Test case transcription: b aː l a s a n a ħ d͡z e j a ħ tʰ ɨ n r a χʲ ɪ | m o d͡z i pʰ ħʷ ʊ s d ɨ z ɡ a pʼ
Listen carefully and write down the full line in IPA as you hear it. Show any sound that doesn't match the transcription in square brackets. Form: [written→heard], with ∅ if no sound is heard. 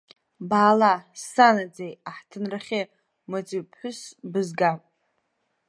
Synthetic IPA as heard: b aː l a s a n a [ħ→∅] d͡z e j a ħ tʰ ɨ n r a χʲ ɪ | m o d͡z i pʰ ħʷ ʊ s [d→b] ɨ z ɡ a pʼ